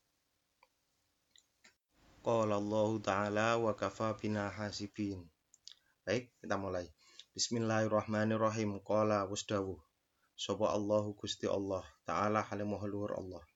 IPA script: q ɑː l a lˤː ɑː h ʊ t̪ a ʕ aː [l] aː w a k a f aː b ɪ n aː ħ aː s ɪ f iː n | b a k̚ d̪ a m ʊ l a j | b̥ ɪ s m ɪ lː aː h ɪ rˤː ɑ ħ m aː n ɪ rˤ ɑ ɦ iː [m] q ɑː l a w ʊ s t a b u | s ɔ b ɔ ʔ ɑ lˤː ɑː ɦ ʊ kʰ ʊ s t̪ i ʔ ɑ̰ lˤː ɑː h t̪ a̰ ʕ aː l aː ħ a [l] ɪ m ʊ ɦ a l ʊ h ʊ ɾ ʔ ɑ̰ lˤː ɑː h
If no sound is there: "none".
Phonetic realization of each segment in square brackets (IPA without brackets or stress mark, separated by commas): l, m, l